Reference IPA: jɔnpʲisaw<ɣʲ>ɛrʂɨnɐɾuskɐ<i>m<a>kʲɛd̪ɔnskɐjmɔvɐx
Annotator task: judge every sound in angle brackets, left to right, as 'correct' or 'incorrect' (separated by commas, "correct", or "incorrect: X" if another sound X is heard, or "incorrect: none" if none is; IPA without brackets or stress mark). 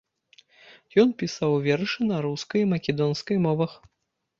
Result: incorrect: vʲ, incorrect: j, incorrect: ɐ